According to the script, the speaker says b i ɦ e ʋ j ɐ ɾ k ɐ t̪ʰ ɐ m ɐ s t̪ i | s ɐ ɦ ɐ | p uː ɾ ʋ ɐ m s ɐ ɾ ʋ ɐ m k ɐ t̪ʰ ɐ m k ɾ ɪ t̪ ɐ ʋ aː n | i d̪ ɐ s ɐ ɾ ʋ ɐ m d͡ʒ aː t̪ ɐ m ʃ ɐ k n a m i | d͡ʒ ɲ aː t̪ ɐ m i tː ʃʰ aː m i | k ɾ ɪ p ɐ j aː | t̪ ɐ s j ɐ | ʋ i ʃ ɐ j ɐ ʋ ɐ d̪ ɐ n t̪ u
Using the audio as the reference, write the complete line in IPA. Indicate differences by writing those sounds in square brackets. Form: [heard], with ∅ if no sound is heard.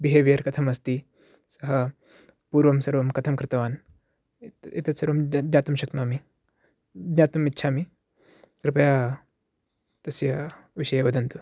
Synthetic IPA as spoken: b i ɦ e ʋ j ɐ ɾ k ɐ t̪ʰ ɐ m ɐ s t̪ i | s ɐ ɦ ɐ | p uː ɾ ʋ ɐ m s ɐ ɾ ʋ ɐ m k ɐ t̪ʰ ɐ m k ɾ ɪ t̪ ɐ ʋ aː n | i [t̪] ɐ s ɐ ɾ ʋ ɐ m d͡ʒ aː t̪ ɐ m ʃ ɐ k n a m i | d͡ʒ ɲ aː t̪ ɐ m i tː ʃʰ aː m i | k ɾ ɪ p ɐ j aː | t̪ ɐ s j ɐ | ʋ i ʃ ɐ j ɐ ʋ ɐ d̪ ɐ n t̪ u